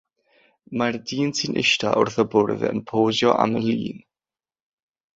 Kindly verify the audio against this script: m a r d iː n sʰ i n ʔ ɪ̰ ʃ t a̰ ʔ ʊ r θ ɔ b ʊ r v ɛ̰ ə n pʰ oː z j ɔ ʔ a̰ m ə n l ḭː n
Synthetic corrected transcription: m a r d iː n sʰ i n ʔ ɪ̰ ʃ t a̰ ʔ ʊ r θ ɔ b ʊ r v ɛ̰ ə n pʰ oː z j ɔ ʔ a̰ m ə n l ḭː n

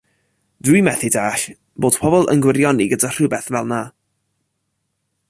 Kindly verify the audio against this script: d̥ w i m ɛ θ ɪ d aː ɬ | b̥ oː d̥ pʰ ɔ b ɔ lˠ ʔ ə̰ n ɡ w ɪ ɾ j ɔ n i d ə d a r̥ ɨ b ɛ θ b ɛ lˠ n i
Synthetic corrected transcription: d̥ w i m ɛ θ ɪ d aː ɬ | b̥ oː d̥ pʰ ɔ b ɔ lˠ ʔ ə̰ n ɡ w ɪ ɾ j ɔ n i ɡ ə d a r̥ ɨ b ɛ θ v ɛ lˠ n a

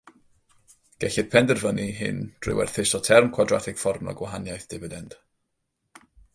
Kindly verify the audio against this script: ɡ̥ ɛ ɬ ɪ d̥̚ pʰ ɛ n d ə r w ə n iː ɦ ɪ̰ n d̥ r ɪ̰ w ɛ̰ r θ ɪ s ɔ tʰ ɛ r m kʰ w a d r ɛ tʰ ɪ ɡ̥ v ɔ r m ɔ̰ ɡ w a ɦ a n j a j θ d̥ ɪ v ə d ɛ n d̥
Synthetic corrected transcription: ɡ̥ ɛ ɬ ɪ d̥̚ pʰ ɛ n d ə r v ə n i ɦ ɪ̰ n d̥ r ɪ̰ w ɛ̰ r θ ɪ s ɔ tʰ ɛ r m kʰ w a d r a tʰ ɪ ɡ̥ f ɔ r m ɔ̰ ɡ w a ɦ a n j a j θ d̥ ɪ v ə d ɛ n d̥

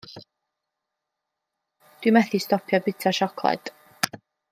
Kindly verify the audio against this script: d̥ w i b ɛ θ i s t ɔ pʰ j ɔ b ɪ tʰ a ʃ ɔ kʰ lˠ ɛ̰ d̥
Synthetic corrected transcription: d̥ w i m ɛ θ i s t ɔ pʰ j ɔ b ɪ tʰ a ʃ ɔ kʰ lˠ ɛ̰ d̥

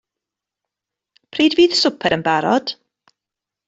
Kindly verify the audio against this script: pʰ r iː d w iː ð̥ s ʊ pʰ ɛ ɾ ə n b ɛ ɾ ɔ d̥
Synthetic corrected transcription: pʰ r iː d v iː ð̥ s ʊ pʰ ɛ ɾ ə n b a ɾ ɔ d̥

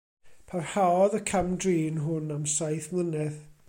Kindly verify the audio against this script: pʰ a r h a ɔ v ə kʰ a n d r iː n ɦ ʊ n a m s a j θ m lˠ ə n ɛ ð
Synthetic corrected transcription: pʰ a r h a ɔ ð ə kʰ a m d r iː n ɦ ʊ n a m s a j θ m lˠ ə n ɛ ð

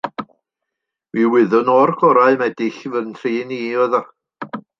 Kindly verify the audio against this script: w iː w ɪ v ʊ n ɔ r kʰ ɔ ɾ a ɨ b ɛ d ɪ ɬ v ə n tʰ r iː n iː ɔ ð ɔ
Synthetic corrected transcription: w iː w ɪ ð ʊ n ɔ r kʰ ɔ ɾ a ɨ m ɛ d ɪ ɬ v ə n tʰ r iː n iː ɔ ð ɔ

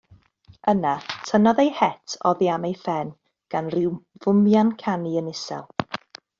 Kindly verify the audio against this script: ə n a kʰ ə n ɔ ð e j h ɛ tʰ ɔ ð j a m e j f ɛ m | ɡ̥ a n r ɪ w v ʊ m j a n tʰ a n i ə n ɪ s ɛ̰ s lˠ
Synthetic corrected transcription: ə n a tʰ ə n ɔ ð e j h ɛ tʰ ɔ ð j a m e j f ɛ n | ɡ̥ a n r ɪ w v ʊ m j a n kʰ a n i ə n ɪ s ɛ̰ lˠ

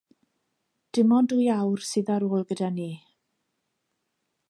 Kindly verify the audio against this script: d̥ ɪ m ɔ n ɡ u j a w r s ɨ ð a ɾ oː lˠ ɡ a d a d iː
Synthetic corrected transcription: d̥ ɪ m ɔ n d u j a w r s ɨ ð a ɾ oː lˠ ɡ ə d a n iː

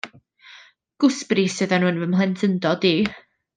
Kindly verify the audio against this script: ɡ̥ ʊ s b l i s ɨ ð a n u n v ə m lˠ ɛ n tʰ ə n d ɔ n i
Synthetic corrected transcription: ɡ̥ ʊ s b r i s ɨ ð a n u n v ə m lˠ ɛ n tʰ ə n d ɔ d i

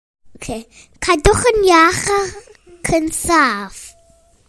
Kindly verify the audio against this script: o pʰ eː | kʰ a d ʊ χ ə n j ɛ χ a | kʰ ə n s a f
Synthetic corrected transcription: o kʰ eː | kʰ a d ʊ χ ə n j a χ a | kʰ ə n s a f

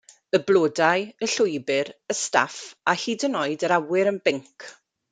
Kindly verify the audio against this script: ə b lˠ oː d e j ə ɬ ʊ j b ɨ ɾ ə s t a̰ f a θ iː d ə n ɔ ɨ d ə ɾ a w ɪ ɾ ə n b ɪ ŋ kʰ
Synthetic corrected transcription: ə b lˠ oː d a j ə ɬ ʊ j b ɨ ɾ ə s t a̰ f a h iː d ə n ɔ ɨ d ə ɾ a w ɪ ɾ ə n b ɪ ŋ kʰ

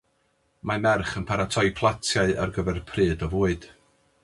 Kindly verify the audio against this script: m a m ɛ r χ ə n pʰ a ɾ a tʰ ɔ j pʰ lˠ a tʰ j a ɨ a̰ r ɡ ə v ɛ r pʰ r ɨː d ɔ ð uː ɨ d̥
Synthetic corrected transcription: m a m ɛ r χ ə n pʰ a ɾ a tʰ ɔ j pʰ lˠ a tʰ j a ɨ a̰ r ɡ ə v ɛ r pʰ r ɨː d ɔ v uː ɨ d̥

